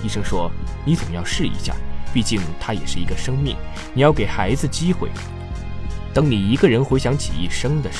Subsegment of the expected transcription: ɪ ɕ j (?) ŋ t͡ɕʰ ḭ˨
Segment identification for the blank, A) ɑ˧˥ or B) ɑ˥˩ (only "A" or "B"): A